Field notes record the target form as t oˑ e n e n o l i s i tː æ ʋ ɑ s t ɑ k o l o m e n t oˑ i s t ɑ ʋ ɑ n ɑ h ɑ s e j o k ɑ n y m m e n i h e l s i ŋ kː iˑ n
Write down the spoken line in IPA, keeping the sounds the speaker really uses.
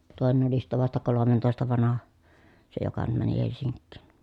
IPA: t oˑ e n e n o l i s i tː æ ʋ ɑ s t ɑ k o l o m e n t oˑ e s t ɑ ʋ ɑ n ɑ h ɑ s e j o k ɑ n y m m æ n i h e l s i ŋ kː iˑ n

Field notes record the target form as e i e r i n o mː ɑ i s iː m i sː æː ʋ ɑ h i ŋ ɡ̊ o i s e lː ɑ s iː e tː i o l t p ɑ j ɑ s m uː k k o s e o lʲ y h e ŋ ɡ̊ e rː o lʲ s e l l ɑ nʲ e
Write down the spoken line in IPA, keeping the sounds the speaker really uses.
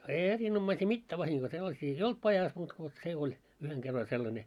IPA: e i e r i n o mː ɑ i s iː m i tː æː ʋ ɑ h i ŋ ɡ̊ o i s e lː ɑ s iː e i o l t p ɑ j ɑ s m uː t k o s e o lʲ y h e ŋ ɡ̊ e rː o lʲ s e l l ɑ nʲ e

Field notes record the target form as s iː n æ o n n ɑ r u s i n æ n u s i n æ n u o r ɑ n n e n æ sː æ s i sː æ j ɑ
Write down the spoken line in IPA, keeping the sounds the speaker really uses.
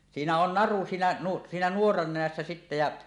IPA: s iː n æ o n n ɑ r u s iː n æ n u s iː n æ n u o r ɑ n n e n æ sː æ s i tː æ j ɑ

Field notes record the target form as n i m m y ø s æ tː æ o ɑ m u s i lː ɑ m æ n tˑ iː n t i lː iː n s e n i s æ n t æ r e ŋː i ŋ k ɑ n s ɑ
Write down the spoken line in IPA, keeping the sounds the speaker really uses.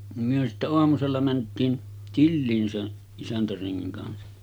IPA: n i m m y ø s i tː æ o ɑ m u s e lː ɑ m æ n tˑ iː n t i lː iː n s e n i s æ n t æ r e ŋː i ŋ k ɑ n s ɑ

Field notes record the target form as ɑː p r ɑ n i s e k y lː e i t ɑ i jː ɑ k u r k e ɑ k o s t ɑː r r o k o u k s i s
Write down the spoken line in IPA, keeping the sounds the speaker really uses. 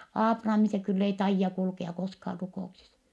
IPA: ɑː p r ɑ m i s e k y lː e i t ɑ i jː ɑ k u l k e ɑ k o s k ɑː r r u k o u k s i s

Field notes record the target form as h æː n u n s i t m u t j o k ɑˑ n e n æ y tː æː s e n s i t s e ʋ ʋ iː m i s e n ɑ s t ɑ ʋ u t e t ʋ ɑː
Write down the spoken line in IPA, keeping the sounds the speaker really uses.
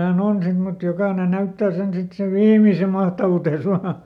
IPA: h æ n o n s i t m u t j o k ɑˑ n e n æ y tː æː s e n s i t s e ʋ ʋ iː m i s e m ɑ h t ɑ ʋ u t e s ʋ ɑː

